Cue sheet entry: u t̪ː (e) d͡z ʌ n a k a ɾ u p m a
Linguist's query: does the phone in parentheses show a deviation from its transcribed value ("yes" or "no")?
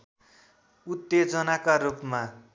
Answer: no